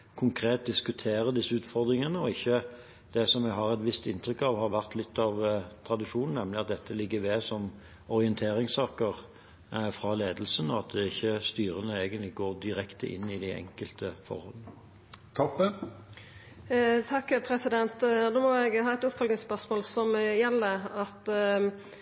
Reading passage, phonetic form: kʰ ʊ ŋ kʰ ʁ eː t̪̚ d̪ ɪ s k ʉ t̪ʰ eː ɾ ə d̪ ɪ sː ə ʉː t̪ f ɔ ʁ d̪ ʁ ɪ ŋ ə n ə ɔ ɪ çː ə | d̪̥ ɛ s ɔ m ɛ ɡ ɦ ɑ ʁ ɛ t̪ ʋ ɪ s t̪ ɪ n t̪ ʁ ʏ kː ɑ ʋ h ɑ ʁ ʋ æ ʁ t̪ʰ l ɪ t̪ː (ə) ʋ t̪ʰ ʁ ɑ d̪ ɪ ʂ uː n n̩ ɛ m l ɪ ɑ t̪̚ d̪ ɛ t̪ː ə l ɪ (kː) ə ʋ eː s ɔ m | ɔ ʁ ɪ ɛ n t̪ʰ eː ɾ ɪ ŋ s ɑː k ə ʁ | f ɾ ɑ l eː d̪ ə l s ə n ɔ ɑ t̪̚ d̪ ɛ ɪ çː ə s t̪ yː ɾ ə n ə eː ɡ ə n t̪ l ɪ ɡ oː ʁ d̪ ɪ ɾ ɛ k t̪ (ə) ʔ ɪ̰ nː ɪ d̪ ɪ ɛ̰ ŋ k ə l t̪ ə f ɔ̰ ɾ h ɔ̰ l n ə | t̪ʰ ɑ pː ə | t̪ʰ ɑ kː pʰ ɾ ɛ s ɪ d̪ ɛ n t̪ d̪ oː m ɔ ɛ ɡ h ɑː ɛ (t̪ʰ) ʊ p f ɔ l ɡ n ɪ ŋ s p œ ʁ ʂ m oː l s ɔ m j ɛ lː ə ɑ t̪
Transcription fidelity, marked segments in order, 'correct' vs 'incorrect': incorrect: ɑ, incorrect: ɡː, correct, incorrect: t̪

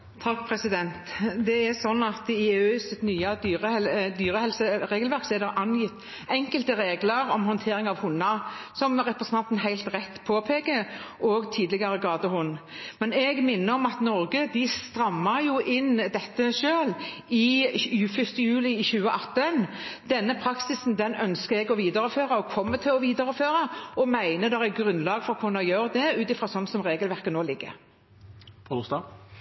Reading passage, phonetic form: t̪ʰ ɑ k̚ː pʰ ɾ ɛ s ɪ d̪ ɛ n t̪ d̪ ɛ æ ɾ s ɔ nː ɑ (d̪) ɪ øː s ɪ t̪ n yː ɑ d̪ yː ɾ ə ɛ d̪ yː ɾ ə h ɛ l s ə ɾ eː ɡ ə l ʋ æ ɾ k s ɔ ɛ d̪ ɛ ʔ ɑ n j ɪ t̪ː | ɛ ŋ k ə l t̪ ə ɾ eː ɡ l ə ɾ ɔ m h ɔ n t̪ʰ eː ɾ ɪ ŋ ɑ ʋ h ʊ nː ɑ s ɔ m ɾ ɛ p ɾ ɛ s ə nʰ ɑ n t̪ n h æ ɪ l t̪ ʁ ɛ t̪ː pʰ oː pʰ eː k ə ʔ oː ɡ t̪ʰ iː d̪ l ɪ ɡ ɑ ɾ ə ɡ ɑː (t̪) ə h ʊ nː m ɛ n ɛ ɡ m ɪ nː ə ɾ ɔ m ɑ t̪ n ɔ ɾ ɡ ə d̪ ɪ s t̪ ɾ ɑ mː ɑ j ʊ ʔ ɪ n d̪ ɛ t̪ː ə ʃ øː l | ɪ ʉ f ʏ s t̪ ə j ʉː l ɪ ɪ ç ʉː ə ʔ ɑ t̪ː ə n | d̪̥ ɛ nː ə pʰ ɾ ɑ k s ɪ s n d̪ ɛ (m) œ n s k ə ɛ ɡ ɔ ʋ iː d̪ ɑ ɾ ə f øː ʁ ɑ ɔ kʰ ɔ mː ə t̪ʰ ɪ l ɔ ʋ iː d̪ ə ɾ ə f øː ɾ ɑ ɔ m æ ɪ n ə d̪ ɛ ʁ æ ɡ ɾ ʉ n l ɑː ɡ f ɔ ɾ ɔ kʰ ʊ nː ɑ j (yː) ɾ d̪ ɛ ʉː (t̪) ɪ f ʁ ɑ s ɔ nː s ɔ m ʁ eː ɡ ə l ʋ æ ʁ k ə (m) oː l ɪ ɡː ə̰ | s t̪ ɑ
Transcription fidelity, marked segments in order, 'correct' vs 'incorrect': incorrect: t̪, incorrect: d̪, incorrect: n, incorrect: øː, correct, incorrect: n

